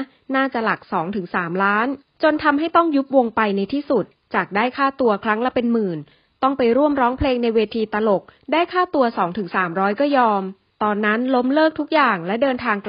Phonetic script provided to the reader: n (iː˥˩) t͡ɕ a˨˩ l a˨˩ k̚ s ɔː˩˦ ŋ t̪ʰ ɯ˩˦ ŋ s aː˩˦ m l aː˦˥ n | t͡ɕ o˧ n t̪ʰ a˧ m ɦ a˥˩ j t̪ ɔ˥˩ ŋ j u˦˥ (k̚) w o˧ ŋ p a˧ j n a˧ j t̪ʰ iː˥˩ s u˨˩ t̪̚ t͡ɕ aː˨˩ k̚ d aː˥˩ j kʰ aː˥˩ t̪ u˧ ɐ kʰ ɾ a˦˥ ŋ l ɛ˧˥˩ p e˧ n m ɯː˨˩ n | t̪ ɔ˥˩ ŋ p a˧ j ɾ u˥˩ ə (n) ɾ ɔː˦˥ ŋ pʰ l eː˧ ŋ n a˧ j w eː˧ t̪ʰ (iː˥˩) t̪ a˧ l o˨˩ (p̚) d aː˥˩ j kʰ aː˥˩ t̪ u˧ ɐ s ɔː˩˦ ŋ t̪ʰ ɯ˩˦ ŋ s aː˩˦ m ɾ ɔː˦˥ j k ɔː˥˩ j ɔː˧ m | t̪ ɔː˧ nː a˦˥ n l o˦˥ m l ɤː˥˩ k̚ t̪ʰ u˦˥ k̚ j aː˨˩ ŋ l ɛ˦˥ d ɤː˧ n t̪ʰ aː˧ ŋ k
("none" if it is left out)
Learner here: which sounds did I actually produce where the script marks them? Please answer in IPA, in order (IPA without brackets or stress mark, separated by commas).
aː˥˩, p̚, m, iː˧, k̚